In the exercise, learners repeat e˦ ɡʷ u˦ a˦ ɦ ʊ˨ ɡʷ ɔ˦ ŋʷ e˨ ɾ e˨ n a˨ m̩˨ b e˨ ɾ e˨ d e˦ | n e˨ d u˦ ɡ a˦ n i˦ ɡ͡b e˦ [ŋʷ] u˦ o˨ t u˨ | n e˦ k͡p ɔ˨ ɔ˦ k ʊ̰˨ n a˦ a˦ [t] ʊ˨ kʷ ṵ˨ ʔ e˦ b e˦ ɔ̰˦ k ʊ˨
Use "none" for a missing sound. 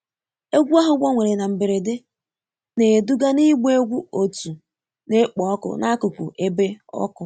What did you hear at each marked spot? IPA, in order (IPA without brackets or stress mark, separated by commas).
ɡʷ, k